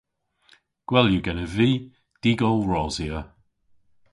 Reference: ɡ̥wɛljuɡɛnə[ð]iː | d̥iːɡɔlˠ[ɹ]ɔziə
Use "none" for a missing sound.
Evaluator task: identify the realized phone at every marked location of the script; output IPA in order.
v, ɹ

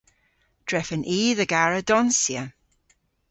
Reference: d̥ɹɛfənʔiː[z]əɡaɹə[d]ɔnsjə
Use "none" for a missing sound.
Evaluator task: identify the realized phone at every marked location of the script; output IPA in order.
ð, d

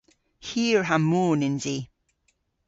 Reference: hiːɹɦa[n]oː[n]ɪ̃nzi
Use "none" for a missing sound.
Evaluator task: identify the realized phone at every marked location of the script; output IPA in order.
m, n

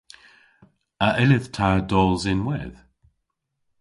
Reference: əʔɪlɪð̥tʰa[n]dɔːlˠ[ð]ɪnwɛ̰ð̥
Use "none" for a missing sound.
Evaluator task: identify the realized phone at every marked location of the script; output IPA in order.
none, z

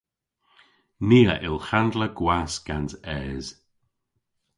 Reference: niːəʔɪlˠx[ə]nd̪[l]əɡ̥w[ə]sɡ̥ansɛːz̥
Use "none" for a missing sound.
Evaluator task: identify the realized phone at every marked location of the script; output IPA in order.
a, l, a

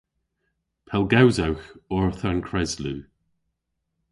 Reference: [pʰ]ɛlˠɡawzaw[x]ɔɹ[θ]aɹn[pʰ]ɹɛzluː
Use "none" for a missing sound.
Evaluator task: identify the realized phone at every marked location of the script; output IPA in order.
pʰ, x, θ, kʰ

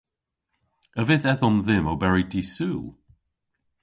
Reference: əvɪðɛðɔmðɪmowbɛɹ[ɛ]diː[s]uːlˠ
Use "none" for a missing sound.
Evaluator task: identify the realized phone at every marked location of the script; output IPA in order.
i, s

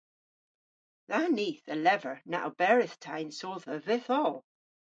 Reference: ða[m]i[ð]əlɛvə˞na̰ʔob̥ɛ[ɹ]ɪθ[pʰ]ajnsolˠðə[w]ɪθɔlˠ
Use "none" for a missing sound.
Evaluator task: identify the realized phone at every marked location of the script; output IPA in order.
n, θ, ɹ, tʰ, v

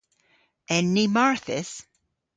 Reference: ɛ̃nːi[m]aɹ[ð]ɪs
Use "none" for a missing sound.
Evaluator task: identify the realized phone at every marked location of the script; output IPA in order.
m, θ

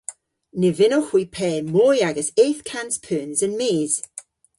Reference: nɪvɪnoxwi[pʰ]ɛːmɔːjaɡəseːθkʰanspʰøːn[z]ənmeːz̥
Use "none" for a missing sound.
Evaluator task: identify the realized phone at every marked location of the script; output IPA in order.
pʰ, z

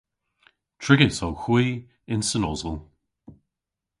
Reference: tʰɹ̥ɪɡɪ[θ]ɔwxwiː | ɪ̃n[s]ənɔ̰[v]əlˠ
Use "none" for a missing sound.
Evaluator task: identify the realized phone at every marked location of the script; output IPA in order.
s, s, z

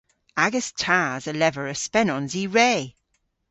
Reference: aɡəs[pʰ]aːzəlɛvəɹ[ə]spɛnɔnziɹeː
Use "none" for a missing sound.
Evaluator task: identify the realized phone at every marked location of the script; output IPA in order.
tʰ, ə

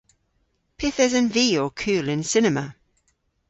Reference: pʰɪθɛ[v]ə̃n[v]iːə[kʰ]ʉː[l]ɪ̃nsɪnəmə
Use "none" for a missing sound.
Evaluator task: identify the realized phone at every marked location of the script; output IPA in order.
z, v, kʰ, l

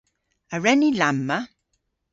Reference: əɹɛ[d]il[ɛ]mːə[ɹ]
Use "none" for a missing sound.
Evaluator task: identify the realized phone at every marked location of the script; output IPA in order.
n, a, none

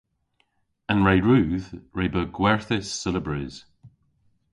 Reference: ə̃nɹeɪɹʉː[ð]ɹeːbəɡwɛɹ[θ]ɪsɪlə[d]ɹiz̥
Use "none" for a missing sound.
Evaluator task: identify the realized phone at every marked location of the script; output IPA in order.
ð, θ, b

